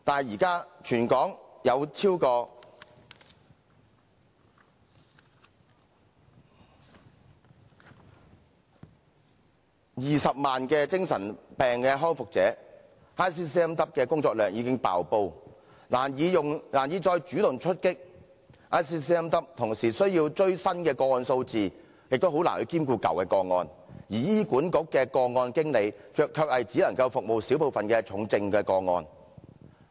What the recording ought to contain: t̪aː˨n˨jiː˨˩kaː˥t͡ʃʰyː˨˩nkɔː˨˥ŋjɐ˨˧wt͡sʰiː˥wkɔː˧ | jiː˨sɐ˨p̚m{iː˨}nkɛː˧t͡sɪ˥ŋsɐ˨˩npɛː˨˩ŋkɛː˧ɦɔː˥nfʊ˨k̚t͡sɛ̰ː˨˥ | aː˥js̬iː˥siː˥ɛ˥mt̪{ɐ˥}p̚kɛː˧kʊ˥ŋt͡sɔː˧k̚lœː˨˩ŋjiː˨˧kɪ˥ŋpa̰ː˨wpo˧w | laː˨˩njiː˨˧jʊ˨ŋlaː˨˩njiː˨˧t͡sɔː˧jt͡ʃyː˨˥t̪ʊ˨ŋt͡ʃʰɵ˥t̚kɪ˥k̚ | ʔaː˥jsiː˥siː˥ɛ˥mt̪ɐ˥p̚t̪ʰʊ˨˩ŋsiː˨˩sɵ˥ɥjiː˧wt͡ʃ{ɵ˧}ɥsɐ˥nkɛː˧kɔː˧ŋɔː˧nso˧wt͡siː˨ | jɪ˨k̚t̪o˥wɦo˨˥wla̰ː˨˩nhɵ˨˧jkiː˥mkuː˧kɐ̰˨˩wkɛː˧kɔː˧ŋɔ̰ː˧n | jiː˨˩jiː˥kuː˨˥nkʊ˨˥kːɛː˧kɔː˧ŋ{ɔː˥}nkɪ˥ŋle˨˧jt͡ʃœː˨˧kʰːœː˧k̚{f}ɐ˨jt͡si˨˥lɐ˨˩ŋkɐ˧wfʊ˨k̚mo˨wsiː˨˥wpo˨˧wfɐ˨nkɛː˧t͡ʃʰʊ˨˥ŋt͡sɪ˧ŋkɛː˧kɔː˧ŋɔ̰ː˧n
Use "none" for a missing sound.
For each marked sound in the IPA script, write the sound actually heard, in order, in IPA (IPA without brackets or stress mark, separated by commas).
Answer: aː˨, ɐ˥, ɵ˥, ɔː˧, h